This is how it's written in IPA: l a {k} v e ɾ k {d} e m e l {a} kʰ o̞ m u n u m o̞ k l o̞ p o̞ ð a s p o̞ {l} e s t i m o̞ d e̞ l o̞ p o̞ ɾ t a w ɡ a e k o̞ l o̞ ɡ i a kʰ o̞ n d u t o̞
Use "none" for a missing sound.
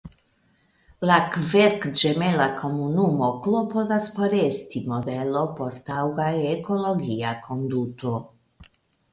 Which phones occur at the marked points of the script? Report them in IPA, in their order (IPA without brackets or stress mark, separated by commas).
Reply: k, d͡ʒ, a, ɾ